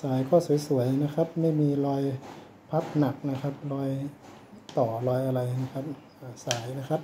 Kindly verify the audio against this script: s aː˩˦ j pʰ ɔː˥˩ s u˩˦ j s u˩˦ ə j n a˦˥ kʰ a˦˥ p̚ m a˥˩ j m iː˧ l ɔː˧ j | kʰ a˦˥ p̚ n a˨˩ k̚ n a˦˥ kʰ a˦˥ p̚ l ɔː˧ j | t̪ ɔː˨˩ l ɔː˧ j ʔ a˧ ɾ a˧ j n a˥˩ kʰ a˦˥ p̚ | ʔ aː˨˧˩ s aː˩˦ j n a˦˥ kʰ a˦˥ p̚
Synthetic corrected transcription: s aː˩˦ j kʰ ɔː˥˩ s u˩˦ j s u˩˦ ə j n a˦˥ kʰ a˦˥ p̚ m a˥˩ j m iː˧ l ɔː˧ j | pʰ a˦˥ p̚ n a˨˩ k̚ n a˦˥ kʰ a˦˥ p̚ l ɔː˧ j | t̪ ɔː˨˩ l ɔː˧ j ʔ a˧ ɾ a˧ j n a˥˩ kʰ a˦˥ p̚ | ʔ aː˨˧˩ s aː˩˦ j n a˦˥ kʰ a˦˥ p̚